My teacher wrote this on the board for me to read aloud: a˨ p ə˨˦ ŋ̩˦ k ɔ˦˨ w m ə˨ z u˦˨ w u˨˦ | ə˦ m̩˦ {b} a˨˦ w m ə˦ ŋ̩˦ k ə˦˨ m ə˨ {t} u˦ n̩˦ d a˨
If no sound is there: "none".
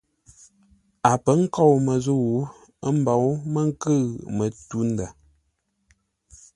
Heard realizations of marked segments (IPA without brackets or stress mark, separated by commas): b, t